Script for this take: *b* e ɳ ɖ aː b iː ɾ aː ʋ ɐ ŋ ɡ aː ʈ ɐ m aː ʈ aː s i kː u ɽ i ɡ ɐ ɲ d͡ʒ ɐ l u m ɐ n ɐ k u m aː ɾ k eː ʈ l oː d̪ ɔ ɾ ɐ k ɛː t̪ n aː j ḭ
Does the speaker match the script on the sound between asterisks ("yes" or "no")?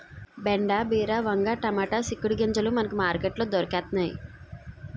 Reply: yes